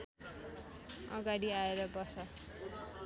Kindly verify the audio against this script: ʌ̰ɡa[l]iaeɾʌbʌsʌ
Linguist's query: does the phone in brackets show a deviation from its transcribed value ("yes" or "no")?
yes